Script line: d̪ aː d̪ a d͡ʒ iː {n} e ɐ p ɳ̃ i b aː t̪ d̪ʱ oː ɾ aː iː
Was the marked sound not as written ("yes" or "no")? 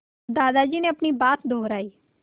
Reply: no